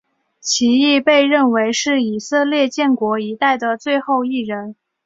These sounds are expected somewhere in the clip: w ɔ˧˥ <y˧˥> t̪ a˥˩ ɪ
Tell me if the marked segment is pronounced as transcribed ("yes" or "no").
no